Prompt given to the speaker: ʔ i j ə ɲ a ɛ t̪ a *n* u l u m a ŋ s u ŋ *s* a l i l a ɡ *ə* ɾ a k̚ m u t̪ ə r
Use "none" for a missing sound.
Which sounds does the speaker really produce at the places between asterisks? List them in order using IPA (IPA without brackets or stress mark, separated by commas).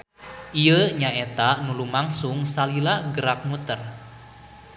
n, s, ə